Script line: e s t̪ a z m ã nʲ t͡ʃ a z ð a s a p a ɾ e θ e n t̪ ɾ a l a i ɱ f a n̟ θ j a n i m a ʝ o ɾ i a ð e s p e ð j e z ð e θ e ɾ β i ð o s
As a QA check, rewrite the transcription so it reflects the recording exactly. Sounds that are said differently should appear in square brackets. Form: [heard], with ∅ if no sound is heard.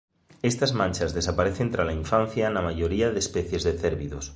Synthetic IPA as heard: e s t̪ a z m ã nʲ t͡ʃ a z ð [e] s a p a ɾ e θ e n t̪ ɾ a l a i ɱ f a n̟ θ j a n [a] m a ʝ o ɾ i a ð e s p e [θ] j e z ð e θ e ɾ β i ð o s

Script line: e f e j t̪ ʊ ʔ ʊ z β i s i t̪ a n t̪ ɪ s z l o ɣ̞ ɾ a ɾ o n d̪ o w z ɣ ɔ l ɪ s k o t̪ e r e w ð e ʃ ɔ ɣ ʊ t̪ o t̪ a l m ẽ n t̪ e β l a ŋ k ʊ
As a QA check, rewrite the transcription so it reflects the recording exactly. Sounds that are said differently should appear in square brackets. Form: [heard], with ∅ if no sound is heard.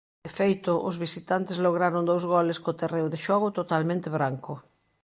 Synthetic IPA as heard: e f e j t̪ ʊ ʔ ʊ z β i s i t̪ a n t̪ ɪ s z l o ɣ̞ ɾ a ɾ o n d̪ o w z ɣ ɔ l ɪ s k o t̪ e r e w ð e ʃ ɔ ɣ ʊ t̪ o t̪ a l m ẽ n t̪ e β [ɾ] a ŋ k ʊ

